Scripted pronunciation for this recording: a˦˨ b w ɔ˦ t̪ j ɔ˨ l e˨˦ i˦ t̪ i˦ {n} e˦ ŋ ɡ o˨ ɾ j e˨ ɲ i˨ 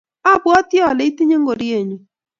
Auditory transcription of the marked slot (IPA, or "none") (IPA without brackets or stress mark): ɲ